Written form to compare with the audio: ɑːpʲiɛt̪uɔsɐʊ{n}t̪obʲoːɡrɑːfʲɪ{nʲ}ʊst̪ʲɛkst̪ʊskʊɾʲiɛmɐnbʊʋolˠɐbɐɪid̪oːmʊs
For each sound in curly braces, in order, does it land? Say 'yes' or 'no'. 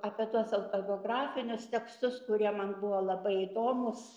no, yes

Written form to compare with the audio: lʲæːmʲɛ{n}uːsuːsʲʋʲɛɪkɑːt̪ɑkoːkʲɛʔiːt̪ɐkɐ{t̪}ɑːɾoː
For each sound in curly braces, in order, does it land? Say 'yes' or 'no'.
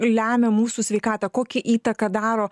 no, no

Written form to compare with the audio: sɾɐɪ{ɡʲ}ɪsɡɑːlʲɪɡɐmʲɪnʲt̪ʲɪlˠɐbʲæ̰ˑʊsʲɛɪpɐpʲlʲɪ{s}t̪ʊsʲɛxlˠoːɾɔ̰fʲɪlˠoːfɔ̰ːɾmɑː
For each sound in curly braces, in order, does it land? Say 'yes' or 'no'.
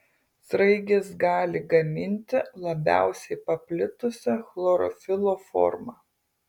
yes, no

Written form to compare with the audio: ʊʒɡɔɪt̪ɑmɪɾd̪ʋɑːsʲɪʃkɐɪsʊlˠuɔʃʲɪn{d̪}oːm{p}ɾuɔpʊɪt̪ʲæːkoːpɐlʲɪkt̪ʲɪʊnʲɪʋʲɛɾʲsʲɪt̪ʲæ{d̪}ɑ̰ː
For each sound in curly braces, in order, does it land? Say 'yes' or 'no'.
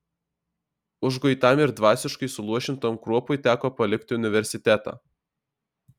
no, no, no

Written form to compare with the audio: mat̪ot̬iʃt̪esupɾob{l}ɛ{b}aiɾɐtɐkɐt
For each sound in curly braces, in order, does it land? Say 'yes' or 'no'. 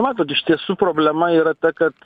yes, no

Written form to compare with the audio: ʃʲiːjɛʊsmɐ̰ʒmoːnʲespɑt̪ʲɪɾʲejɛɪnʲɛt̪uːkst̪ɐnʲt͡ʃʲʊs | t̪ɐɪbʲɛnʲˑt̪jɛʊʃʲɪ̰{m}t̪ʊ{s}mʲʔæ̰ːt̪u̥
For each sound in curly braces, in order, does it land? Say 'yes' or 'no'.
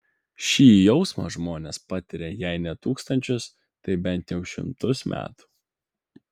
yes, yes

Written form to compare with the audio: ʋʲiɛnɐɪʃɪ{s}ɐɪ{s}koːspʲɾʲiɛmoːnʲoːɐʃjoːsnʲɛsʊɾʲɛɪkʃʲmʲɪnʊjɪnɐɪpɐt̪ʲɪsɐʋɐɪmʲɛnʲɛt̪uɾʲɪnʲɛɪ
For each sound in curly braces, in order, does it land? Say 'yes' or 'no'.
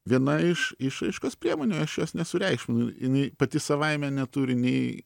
no, no

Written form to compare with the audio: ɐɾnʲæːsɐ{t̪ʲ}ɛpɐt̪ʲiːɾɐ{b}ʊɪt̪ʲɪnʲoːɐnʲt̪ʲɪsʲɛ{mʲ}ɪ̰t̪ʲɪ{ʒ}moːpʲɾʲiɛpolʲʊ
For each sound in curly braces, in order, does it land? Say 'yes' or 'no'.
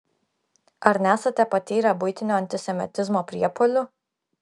yes, yes, yes, no

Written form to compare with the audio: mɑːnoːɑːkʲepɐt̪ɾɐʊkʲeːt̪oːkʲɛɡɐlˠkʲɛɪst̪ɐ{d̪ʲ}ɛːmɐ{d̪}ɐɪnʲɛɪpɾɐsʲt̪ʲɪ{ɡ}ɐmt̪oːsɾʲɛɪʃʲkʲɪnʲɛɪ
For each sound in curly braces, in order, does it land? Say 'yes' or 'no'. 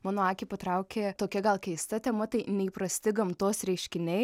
no, no, yes

